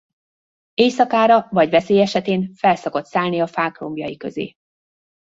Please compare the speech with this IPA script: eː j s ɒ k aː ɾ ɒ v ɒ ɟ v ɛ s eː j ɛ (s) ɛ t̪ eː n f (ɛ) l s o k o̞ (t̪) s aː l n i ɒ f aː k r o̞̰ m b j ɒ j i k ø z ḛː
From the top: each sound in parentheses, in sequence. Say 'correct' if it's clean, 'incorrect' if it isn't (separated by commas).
incorrect, correct, correct